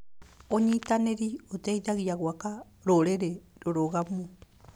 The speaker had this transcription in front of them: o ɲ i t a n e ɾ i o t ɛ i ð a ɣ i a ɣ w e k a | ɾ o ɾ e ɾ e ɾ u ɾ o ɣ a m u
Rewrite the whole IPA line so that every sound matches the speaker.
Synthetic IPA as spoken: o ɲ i t a n e ɾ i o t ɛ i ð a ɣ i a ɣ w a k a | ɾ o ɾ e ɾ e ɾ o ɾ o ɣ a m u